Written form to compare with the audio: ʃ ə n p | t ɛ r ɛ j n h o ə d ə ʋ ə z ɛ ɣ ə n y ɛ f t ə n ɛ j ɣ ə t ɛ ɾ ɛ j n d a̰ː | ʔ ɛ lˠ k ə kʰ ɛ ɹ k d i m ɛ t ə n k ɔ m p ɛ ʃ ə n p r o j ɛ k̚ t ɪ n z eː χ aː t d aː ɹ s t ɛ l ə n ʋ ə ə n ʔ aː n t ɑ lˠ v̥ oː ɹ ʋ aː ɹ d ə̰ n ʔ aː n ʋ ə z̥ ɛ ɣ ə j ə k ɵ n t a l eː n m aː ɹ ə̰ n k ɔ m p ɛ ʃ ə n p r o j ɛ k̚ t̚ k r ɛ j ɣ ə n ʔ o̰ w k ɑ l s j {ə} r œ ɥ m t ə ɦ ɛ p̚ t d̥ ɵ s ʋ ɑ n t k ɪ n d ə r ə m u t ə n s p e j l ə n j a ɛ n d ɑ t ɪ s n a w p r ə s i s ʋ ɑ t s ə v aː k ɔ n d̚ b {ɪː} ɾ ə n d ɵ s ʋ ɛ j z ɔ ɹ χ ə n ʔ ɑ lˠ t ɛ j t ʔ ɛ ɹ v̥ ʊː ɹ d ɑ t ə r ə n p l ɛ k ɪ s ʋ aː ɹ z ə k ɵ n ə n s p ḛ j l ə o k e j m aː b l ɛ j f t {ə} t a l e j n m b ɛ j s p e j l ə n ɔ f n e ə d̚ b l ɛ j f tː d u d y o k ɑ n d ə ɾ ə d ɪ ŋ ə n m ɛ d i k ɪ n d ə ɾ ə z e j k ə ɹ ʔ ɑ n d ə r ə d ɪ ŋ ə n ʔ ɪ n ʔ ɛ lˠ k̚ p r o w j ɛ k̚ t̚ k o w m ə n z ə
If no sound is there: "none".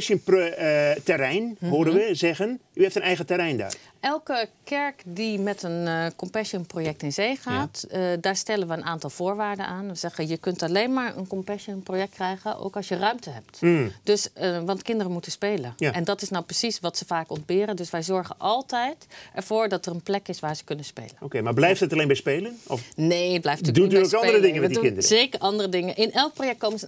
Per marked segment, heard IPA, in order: ə, ɪː, ə

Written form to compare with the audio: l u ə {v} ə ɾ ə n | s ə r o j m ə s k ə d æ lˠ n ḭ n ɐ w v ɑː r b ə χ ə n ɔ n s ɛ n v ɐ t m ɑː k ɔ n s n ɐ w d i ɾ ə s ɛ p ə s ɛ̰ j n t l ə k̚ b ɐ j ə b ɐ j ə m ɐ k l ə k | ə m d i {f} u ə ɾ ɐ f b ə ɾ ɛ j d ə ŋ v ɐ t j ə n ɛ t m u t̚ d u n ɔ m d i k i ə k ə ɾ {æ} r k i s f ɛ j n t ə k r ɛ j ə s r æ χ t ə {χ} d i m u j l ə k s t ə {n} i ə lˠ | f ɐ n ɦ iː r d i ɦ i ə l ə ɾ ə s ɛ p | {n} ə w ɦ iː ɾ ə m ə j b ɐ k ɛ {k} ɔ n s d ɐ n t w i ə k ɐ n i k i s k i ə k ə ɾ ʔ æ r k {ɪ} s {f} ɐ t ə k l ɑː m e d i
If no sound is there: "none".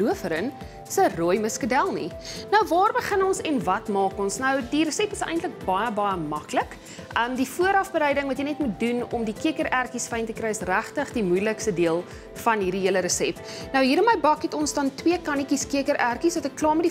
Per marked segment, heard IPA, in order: f, f, æ, χ, d, n, t, i, v

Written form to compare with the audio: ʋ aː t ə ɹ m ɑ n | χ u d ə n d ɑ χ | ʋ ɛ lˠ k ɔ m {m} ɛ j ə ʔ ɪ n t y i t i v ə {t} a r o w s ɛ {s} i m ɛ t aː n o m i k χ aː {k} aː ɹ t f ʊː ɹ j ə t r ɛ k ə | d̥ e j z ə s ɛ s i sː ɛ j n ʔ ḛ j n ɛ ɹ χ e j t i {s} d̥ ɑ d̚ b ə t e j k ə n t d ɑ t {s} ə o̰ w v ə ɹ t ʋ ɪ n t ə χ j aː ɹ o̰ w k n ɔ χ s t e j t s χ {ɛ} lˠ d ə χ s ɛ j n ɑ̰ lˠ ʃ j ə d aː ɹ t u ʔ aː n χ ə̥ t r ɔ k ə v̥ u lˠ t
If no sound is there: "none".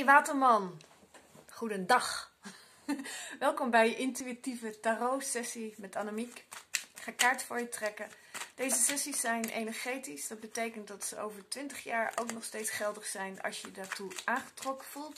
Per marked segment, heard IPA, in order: b, t, s, k, s, s, ɛ

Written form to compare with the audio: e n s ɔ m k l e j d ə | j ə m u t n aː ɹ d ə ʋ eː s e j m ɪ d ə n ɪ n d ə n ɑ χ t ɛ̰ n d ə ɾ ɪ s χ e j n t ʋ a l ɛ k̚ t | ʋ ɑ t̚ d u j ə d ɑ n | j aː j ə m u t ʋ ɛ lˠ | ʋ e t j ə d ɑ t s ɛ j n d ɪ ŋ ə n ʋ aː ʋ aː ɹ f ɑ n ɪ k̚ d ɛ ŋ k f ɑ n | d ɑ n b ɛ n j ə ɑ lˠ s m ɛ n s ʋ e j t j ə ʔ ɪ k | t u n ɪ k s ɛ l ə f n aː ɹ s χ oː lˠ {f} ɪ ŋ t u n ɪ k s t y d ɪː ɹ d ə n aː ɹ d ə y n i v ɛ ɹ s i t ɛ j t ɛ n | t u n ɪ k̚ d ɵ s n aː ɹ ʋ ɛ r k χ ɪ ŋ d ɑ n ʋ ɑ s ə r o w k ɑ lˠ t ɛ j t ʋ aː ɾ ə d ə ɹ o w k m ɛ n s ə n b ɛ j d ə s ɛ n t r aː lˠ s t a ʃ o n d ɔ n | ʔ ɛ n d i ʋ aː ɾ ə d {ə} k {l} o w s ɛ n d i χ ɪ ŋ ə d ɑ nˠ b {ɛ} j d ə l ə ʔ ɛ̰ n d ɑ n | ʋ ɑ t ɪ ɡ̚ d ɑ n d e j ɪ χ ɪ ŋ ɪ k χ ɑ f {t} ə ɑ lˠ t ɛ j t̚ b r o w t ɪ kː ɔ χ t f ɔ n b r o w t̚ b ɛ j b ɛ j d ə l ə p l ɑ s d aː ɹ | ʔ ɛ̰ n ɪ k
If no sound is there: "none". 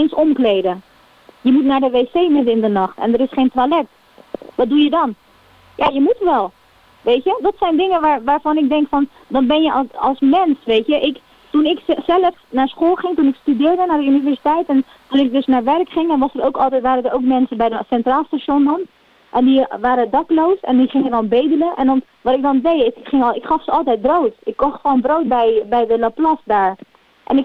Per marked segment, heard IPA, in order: χ, ɑ, l, e, s

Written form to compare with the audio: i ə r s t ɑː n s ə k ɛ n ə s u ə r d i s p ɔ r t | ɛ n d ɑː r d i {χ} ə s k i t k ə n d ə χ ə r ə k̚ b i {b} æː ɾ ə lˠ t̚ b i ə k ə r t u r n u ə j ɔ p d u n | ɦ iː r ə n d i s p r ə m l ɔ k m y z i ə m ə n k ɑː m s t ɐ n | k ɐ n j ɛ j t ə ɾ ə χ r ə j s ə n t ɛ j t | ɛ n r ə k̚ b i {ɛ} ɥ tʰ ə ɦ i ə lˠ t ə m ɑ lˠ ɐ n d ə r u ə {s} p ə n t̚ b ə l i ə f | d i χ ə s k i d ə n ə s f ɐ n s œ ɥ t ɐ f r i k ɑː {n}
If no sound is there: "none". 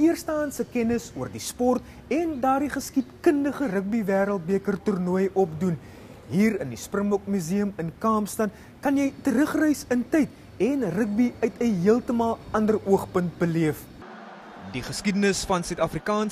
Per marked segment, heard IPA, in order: χ, v, œ, χ, n

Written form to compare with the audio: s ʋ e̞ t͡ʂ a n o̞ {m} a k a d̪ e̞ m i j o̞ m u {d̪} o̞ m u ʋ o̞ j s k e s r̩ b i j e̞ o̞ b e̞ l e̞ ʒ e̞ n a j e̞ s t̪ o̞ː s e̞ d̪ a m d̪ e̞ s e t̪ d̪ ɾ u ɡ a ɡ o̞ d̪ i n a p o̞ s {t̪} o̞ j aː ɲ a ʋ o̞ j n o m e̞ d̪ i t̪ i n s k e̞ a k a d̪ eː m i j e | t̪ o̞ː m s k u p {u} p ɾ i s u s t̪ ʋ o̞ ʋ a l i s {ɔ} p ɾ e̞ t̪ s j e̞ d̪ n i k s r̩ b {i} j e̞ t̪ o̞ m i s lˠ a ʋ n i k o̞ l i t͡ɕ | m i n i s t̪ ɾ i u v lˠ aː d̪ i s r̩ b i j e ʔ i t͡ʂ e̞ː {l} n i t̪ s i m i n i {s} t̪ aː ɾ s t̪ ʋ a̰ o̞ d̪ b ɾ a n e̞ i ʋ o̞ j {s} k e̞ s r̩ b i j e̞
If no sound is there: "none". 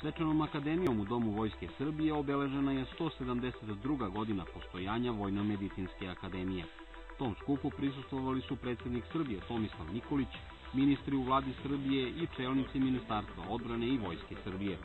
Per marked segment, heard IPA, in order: m, d̪, t̪, u, u, i, l, s, s

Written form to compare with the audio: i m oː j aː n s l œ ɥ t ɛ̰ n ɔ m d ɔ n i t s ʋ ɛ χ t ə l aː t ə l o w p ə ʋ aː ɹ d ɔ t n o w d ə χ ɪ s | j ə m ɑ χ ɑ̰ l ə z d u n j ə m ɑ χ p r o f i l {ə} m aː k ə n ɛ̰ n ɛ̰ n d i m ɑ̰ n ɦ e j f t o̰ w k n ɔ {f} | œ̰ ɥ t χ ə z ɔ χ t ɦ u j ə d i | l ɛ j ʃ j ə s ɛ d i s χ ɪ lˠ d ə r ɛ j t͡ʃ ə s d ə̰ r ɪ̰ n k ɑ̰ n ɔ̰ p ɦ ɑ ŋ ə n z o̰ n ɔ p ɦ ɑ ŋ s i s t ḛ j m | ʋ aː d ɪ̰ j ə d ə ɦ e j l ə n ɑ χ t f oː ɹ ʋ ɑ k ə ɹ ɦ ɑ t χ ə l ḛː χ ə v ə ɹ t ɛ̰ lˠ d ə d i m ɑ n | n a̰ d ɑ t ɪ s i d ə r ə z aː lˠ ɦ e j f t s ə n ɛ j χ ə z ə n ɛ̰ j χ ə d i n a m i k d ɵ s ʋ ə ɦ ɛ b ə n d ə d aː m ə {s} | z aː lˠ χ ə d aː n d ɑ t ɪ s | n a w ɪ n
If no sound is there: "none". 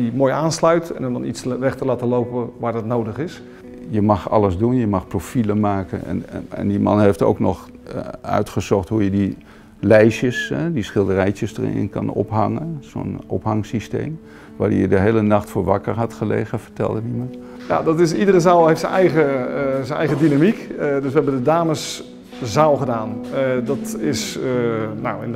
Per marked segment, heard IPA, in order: ə, χ, s

